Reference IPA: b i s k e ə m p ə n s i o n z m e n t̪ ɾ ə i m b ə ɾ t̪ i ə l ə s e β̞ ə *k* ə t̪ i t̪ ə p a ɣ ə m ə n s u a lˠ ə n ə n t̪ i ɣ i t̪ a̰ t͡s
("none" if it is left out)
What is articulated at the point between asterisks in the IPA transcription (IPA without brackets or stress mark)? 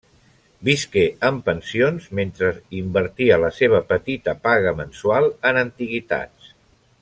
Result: p